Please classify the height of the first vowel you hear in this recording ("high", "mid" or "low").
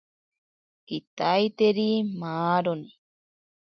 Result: high